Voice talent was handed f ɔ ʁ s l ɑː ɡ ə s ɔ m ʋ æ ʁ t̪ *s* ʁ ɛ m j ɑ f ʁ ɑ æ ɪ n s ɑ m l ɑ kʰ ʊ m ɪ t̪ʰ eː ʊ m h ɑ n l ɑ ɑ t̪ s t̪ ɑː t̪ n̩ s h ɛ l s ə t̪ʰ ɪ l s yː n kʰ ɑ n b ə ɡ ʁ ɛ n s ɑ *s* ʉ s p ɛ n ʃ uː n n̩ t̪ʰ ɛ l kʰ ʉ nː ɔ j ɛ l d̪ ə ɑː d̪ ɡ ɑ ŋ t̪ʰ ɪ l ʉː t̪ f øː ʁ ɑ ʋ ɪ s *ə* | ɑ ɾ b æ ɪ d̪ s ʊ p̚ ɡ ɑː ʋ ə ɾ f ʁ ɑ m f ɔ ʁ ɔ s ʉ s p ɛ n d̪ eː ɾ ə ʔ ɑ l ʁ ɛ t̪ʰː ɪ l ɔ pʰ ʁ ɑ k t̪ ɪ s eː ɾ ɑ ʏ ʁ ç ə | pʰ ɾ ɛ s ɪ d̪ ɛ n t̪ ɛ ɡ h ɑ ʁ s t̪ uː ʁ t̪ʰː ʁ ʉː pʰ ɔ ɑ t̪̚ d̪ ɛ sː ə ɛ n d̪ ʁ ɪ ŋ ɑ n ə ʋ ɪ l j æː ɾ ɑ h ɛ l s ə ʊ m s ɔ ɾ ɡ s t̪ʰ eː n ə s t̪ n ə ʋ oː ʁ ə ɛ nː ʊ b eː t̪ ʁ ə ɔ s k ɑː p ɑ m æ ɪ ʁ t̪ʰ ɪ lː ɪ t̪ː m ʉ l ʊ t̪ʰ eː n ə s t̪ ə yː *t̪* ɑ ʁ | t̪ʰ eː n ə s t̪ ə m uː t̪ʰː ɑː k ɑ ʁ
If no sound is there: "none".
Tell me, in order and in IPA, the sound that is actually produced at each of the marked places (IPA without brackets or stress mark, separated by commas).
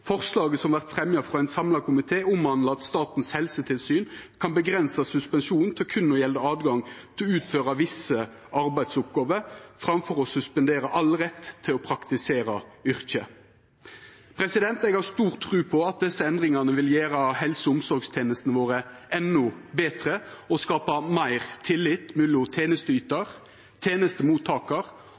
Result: f, s, ə, t̪